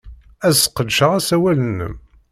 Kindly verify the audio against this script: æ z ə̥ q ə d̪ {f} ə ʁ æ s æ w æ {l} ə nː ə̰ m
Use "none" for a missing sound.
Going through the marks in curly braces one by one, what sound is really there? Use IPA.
ʃ, l

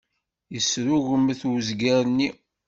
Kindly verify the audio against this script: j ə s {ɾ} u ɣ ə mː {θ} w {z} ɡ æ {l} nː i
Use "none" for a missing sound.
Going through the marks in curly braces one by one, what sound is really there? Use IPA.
ɾ, θ, z, ɾ

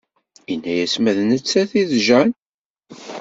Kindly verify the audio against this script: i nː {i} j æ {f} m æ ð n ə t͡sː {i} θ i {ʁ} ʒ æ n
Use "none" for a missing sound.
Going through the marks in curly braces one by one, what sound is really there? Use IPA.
æ, s, æ, ð

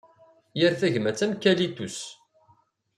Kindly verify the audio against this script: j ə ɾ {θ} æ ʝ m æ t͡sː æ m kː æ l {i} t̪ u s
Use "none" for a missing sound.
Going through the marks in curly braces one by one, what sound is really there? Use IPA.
θ, i

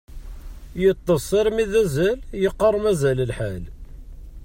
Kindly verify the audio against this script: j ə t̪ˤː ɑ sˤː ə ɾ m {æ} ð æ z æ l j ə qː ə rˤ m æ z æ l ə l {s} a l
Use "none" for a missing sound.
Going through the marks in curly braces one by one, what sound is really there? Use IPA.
i, ħ

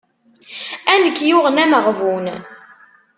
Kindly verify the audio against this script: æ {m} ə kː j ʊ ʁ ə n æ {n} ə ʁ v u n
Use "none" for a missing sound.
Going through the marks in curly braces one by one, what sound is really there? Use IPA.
n, m

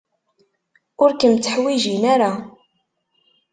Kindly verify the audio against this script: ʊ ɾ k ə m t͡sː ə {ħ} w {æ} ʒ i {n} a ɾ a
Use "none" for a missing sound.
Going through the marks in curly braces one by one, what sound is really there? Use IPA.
ħ, i, n

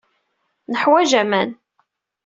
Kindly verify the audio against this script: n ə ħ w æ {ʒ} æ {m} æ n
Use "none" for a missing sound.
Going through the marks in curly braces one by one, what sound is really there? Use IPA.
ʒ, m

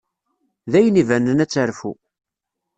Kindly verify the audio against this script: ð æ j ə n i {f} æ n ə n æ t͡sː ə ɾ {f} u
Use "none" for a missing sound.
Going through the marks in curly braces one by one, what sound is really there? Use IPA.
v, f

